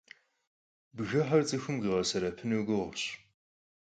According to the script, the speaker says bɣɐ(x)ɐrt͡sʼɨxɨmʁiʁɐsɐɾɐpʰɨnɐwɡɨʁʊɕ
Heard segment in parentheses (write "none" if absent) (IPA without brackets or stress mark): ħ